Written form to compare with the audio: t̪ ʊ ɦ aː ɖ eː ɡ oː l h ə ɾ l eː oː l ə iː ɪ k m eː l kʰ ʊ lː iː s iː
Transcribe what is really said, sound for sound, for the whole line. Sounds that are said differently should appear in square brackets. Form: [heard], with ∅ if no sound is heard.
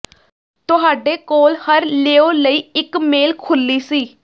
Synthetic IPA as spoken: t̪ ʊ ɦ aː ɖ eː [k] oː l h ə ɾ l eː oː l ə iː ɪ k m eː l kʰ ʊ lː iː s iː